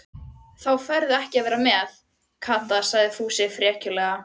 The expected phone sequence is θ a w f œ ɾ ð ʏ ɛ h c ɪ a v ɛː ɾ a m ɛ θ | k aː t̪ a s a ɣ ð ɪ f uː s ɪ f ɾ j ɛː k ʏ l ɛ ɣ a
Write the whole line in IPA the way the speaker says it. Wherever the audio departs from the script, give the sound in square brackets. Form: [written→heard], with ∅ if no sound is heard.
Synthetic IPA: θ a w f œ ɾ ð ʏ ɛ h c ɪ a v ɛː ɾ a m ɛ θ | [k→kʰ] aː t̪ a s a ɣ ð ɪ f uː s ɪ f ɾ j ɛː [k→c] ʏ l ɛ ɣ a